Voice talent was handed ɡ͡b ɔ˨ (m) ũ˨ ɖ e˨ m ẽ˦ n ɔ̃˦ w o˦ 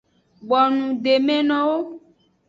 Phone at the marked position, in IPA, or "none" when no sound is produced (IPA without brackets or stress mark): n